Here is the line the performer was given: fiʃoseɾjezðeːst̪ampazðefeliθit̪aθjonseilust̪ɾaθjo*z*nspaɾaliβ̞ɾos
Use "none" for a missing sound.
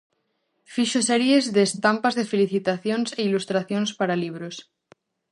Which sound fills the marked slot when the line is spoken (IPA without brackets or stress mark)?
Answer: none